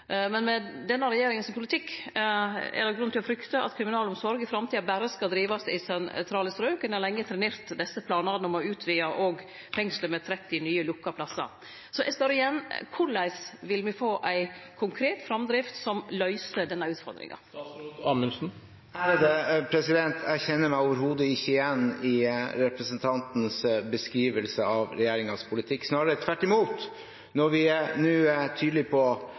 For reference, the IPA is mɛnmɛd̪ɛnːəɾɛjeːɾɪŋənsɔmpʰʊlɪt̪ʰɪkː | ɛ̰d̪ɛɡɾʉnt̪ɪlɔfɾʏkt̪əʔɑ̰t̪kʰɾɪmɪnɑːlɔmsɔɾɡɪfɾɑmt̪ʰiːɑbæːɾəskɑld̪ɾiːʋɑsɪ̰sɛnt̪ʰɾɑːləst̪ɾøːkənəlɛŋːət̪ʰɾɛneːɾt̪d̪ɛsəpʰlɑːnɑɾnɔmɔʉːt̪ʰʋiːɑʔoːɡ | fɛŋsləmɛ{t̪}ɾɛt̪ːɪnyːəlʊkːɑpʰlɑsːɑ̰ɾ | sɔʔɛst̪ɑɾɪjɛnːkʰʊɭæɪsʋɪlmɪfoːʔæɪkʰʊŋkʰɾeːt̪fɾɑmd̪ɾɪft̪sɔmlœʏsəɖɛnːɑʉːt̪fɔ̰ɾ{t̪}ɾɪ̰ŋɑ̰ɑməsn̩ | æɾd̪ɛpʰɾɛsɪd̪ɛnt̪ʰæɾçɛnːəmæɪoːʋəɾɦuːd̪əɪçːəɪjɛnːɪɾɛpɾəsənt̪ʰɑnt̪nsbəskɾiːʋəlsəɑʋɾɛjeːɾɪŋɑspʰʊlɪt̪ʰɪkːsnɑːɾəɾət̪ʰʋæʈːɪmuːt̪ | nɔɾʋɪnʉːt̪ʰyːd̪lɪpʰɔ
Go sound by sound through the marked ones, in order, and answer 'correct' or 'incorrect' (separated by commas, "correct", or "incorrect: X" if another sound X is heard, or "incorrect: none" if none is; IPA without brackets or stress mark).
incorrect: t̪ʰ, incorrect: d̪